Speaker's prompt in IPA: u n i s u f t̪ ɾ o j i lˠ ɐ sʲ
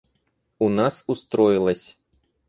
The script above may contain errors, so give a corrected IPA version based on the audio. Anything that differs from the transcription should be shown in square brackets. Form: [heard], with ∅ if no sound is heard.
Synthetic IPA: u n [a] s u [s] t̪ ɾ [ɔ] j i lˠ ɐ sʲ